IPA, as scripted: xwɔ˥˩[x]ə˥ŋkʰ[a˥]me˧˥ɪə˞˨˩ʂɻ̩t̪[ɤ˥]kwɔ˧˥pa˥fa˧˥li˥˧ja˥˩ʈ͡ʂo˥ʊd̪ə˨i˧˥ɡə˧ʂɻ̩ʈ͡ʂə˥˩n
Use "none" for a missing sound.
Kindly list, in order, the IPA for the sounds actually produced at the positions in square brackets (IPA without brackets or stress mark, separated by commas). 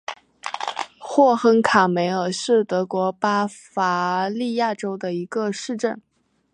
x, a˨˩, ɤ˧˥